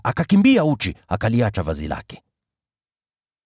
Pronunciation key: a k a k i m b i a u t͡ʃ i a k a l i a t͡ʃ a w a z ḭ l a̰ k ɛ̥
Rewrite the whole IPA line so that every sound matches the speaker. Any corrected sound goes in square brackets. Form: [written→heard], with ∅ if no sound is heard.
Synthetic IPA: a k a k i m b i a u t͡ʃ i a k a l i a t͡ʃ a [w→v] a z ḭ l a̰ k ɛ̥